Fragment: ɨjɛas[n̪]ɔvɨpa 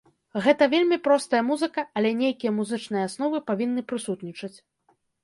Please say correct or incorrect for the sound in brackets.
correct